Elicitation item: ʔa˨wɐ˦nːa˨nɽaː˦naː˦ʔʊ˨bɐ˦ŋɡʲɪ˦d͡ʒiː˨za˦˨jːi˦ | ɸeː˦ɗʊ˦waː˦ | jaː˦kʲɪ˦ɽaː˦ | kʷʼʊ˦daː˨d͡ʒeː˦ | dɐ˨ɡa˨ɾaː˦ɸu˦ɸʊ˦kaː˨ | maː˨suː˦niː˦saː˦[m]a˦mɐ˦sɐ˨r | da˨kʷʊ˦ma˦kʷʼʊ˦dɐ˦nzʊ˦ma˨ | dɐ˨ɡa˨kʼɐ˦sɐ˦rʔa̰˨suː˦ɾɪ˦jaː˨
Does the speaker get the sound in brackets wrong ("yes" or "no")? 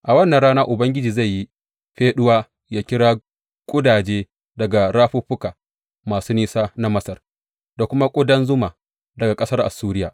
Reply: yes